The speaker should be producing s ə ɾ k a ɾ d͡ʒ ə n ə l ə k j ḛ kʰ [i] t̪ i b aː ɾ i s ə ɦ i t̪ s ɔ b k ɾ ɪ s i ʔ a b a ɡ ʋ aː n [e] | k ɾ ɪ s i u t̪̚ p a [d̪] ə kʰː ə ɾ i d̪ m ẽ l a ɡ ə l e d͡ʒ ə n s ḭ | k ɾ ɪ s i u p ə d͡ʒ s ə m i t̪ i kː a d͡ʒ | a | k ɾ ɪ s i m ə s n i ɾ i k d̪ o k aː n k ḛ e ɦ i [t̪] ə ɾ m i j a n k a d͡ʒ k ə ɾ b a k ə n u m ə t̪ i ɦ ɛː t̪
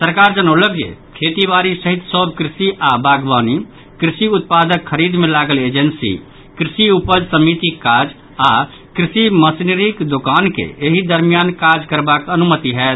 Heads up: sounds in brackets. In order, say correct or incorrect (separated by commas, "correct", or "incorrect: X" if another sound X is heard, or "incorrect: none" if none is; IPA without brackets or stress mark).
incorrect: e, incorrect: i, correct, incorrect: d̪